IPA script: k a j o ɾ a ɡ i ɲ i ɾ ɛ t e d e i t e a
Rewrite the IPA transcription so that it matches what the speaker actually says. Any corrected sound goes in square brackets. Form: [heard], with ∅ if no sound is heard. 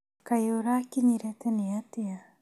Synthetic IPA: k a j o ɾ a [k] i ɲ i ɾ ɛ t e [n] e [a] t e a